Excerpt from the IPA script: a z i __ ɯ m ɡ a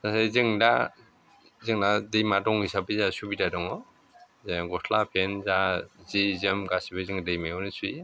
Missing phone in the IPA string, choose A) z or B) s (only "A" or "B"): A